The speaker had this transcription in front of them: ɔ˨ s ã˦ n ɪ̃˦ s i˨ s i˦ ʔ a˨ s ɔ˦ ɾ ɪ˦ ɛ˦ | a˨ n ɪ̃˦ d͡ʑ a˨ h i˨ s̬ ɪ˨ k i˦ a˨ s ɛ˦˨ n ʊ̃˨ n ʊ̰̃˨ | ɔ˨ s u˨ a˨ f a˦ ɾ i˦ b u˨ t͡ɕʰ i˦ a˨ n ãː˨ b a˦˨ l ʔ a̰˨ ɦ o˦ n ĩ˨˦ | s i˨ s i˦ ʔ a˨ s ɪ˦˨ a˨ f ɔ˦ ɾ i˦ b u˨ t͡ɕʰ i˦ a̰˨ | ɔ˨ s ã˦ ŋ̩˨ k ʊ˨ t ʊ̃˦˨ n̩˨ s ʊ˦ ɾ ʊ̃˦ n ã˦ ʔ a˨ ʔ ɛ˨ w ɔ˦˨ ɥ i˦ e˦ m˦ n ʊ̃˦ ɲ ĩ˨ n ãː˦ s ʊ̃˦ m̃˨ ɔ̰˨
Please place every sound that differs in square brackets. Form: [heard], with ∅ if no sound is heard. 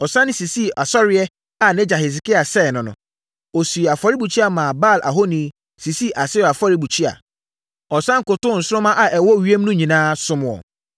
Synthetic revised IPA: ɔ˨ s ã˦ n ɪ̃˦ s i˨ s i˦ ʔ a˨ s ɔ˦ ɾ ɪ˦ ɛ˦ | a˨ n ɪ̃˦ d͡ʑ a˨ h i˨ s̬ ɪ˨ k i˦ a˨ s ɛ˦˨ n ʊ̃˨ n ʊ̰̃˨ | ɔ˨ s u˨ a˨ f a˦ ɾ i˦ b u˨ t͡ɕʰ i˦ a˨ [m] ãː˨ b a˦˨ l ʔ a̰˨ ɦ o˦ n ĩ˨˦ | s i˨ s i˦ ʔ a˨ s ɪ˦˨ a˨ f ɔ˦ ɾ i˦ b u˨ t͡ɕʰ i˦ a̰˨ | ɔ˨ s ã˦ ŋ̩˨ k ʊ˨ t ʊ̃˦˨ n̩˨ s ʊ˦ ɾ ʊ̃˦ [m] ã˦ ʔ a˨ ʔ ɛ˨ w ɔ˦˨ ɥ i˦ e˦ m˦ n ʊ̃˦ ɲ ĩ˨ n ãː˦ s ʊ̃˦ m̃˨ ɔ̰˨